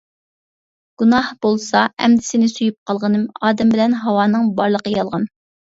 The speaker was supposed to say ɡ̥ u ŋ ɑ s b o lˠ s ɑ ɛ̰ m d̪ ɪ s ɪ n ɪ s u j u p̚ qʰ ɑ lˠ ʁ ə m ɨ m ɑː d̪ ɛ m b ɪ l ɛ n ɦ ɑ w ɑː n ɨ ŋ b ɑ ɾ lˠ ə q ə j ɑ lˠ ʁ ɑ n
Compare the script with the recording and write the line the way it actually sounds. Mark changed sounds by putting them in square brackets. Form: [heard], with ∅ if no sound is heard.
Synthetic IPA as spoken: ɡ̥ u [n] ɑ [h] b o lˠ s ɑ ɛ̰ m d̪ ɪ s ɪ n ɪ s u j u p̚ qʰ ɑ lˠ ʁ ə [n] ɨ m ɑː d̪ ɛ m b ɪ l ɛ n ɦ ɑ w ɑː n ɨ ŋ b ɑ ɾ lˠ ə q ə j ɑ lˠ ʁ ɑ n